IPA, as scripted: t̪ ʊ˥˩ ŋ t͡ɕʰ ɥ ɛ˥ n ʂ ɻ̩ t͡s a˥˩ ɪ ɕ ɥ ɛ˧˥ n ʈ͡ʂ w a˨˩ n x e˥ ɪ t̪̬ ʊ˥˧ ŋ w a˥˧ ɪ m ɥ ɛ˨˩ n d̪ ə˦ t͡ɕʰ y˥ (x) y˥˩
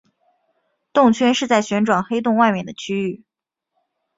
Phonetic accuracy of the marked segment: incorrect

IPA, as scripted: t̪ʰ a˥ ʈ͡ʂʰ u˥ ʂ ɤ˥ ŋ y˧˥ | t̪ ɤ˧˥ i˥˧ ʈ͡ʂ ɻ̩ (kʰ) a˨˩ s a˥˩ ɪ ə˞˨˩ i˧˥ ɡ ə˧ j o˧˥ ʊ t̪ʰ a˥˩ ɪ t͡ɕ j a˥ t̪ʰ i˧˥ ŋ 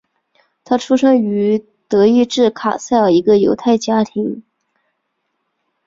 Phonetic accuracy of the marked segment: correct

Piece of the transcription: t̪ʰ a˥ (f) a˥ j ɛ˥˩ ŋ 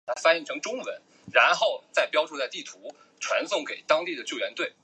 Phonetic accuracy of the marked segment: correct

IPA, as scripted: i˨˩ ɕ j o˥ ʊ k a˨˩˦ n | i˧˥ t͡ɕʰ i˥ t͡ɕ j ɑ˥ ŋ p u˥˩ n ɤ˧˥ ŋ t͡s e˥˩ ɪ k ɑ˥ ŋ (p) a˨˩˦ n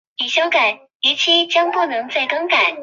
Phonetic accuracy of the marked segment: incorrect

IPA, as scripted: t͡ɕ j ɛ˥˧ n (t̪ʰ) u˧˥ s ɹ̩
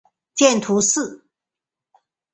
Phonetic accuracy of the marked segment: correct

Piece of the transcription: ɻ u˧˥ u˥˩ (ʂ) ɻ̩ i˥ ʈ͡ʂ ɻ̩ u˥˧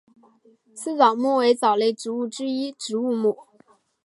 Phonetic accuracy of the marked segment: incorrect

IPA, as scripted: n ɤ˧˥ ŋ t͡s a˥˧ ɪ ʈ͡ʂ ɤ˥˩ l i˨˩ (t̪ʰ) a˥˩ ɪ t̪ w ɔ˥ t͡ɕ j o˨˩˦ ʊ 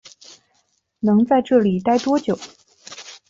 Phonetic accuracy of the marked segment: incorrect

